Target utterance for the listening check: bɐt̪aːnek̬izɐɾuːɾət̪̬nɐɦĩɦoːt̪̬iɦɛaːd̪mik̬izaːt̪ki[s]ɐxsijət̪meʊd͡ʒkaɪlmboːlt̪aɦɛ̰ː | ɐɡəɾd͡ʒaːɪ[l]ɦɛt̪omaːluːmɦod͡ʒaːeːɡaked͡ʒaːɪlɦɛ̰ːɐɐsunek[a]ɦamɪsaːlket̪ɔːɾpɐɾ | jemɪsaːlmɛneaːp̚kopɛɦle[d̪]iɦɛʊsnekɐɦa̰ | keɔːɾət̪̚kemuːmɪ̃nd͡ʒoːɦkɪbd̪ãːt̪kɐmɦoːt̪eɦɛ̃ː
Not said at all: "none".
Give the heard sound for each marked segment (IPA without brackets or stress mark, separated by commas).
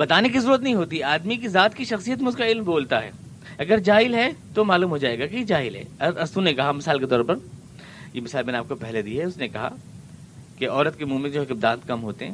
ʃ, l, ɐ, d̪